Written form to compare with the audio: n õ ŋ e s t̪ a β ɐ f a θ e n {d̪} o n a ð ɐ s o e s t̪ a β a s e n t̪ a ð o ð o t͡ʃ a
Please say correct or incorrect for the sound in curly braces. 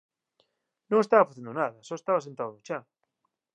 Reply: correct